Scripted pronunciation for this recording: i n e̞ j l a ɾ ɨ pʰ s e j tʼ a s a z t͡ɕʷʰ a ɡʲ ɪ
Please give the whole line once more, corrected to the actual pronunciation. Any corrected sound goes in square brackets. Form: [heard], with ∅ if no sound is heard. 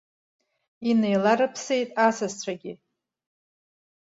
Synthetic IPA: i n e̞ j l a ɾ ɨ pʰ s e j tʼ a s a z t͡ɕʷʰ a ɡʲ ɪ